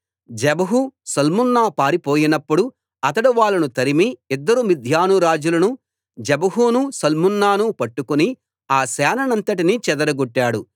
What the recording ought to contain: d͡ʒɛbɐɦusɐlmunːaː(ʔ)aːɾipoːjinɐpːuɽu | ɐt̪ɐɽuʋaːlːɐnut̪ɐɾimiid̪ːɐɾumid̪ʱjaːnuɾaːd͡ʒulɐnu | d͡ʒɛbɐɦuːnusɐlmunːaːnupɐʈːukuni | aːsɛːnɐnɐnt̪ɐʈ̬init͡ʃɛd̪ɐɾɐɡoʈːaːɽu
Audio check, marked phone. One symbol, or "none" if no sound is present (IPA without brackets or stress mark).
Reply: p